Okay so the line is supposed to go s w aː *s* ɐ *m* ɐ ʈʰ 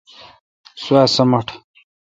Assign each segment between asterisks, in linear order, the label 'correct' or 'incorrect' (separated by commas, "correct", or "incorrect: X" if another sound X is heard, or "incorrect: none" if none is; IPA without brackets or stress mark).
correct, correct